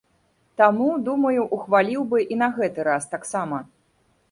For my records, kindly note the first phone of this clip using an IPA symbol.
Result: t̪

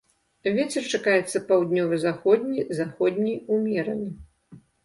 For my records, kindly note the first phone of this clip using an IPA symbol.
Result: vʲ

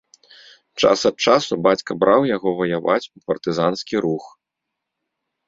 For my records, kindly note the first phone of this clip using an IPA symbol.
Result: t͡ʂ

